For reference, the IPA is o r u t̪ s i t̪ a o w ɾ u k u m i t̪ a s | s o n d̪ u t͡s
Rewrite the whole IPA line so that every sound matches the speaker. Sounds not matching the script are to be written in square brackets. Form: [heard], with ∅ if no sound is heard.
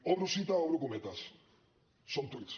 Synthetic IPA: o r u [∅] s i t̪ a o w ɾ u k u m [e] t̪ a s | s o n [t̪] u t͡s